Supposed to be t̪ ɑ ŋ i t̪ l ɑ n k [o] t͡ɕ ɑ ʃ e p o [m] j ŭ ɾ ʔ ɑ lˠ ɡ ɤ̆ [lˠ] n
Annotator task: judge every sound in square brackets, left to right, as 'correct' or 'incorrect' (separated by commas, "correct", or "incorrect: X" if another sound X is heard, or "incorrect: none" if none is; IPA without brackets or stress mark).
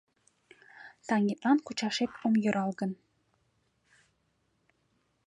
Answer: incorrect: u, correct, incorrect: none